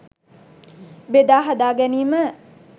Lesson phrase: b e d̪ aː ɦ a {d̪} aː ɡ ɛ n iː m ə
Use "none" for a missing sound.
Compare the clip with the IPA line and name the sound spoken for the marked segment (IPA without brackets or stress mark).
d̪